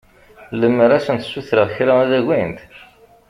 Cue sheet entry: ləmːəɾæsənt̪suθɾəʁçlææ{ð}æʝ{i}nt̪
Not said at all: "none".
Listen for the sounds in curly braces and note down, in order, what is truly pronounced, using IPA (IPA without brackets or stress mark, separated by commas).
ð, i